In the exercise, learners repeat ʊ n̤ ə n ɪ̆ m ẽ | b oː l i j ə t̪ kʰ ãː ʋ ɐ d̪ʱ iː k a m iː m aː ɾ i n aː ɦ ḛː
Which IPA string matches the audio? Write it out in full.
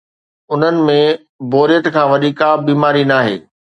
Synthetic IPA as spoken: ʊ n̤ ə n ɪ̆ m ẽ | b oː ɾ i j ə t̪ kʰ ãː ʋ ɐ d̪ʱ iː k a b iː m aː ɾ i n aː ɦ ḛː